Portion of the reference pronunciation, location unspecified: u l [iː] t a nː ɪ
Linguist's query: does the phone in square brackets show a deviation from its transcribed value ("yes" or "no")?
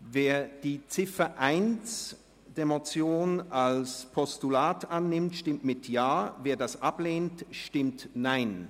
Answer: yes